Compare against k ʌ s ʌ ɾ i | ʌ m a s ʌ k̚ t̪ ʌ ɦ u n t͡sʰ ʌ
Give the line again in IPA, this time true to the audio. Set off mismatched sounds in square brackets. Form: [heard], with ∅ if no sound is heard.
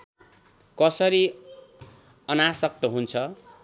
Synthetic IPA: k ʌ s ʌ ɾ i | ʌ [n] a s ʌ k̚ t̪ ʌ ɦ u n t͡sʰ ʌ